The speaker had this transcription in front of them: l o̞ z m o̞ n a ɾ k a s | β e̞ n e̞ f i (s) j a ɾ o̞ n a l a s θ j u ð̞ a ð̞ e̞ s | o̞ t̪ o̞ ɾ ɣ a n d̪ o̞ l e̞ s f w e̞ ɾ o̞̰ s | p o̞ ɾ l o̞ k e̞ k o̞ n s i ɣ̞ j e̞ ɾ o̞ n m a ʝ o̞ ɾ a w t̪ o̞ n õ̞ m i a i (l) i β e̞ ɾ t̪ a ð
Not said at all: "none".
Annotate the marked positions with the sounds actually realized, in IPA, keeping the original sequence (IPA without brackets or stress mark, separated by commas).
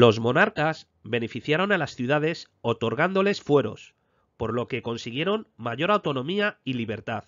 θ, l